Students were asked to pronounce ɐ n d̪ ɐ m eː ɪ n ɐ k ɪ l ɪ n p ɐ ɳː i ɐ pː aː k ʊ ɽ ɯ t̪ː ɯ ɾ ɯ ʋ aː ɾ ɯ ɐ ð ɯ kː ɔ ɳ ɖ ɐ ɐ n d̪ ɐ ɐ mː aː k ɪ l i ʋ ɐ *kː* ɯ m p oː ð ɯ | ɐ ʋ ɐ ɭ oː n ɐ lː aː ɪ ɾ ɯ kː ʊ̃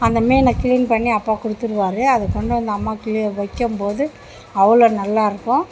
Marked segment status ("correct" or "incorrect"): correct